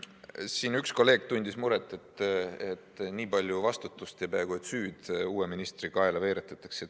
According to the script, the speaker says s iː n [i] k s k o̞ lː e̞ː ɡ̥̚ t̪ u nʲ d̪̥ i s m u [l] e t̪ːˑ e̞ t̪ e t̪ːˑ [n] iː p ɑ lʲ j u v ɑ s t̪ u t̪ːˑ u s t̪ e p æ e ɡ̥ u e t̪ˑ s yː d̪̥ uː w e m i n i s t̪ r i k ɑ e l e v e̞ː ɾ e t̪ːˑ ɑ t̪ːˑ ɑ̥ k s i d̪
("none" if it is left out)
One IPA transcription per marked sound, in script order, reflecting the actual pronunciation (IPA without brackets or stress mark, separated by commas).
y, ɾ, n